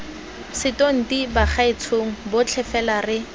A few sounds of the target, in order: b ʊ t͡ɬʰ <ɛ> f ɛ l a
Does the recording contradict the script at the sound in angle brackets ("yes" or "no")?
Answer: no